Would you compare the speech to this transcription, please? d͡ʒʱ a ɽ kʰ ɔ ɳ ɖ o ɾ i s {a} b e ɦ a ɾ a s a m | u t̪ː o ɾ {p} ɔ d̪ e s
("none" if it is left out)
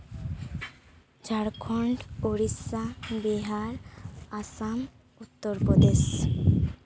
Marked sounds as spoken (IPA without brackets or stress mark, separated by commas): a, p